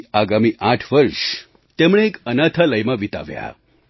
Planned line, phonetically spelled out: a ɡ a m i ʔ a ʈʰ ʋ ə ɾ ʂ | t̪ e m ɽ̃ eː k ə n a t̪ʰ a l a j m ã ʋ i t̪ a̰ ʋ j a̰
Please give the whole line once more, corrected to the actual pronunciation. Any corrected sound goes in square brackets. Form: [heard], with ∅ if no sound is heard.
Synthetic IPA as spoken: a ɡ a m i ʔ a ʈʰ ʋ ə ɾ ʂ | t̪ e m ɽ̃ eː k ə n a t̪ʰ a l [ə] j m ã ʋ i t̪ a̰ ʋ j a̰